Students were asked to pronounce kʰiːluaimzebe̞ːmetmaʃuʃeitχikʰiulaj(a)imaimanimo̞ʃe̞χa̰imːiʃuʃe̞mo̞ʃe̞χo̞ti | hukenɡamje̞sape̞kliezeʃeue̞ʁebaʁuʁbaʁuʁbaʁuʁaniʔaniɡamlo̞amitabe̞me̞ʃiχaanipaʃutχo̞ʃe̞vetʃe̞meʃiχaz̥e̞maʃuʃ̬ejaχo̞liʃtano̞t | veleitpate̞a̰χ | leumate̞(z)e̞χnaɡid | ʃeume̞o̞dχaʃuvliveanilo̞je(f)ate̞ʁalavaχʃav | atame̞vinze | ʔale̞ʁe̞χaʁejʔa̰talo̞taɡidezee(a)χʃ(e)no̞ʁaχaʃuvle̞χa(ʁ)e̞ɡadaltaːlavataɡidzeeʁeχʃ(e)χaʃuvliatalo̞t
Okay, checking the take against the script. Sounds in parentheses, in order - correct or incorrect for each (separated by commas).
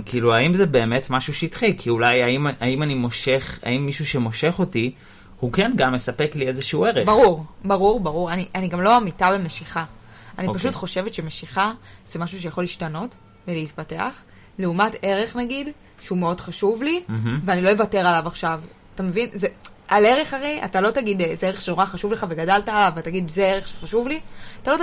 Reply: correct, incorrect, incorrect, incorrect, correct, incorrect, correct